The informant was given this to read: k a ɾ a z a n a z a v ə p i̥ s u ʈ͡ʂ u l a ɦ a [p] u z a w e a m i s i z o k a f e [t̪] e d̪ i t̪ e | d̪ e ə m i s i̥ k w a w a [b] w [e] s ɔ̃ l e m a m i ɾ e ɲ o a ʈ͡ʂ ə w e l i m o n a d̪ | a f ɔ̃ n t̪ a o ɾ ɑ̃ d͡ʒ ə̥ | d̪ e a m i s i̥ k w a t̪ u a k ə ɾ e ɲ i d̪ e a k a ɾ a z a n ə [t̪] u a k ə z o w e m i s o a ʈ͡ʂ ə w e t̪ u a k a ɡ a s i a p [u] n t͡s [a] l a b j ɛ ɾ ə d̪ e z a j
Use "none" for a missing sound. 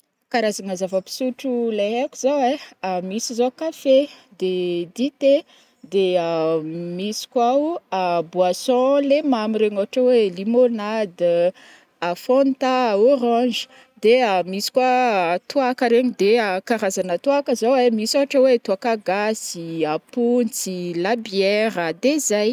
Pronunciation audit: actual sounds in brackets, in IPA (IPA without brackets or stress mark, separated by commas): k, d̪, b, a, t̪, u, i